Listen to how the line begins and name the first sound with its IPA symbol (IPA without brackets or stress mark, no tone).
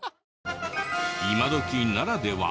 i